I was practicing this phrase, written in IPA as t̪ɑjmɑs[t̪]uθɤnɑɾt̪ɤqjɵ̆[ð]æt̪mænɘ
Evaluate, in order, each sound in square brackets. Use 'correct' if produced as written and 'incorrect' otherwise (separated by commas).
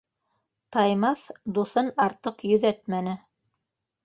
incorrect, correct